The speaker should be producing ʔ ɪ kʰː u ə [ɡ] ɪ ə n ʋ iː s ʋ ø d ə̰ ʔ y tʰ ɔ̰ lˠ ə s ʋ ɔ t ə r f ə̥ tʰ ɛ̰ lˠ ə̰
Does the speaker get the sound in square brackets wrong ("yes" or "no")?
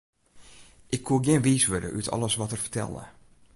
no